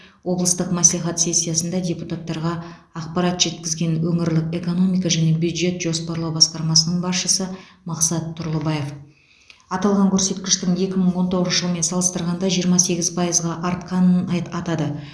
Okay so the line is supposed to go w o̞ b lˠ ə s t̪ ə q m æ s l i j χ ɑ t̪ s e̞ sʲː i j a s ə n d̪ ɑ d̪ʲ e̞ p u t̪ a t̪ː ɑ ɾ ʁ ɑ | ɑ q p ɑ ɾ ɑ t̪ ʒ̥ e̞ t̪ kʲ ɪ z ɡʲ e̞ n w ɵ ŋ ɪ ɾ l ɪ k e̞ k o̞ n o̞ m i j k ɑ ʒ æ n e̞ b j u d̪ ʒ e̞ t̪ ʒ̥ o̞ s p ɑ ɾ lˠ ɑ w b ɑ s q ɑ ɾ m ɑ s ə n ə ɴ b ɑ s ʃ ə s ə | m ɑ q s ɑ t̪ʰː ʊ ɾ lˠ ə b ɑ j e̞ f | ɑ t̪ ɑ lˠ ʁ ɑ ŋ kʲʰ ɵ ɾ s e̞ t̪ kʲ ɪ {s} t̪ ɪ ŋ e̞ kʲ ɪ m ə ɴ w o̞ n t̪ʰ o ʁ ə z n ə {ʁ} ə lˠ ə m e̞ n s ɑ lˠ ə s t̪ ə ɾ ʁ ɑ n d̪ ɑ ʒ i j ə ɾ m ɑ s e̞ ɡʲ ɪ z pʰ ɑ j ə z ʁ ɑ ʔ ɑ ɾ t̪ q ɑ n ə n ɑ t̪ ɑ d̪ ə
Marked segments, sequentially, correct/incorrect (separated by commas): incorrect, incorrect